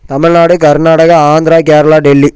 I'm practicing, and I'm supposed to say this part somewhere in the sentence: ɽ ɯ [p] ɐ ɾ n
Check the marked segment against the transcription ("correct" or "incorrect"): incorrect